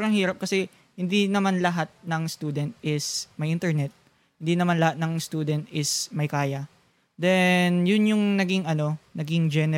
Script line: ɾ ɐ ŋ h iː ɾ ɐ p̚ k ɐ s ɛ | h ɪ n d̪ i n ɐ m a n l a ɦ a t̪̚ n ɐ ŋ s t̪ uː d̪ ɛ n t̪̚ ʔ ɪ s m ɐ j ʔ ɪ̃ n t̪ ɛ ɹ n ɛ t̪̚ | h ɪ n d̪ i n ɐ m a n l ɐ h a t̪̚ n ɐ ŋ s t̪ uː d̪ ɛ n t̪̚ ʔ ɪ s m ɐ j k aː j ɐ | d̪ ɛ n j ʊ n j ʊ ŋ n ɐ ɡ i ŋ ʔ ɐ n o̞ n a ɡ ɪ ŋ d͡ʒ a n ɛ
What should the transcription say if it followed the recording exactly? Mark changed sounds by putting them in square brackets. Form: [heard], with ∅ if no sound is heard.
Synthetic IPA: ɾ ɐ ŋ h iː ɾ ɐ p̚ k ɐ s ɛ | h ɪ n d̪ i n ɐ m a n l [ɐ] ɦ a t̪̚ n ɐ ŋ s t̪ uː d̪ ɛ n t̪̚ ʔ ɪ s m ɐ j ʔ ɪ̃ n t̪ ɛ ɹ n ɛ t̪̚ | h ɪ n d̪ i n ɐ m a n l ɐ h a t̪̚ n ɐ ŋ s t̪ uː d̪ ɛ n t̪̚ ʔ ɪ s m ɐ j k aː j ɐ | d̪ ɛ n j ʊ n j ʊ ŋ n ɐ ɡ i ŋ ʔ ɐ n o̞ n [ɐ] ɡ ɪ ŋ d͡ʒ [ɛ] n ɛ